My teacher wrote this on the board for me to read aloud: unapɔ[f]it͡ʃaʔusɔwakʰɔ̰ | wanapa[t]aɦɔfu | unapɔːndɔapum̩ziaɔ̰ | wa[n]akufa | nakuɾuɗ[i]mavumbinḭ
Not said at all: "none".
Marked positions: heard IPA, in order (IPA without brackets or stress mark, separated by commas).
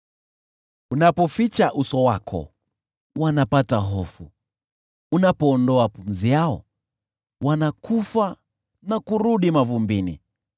f, t, n, i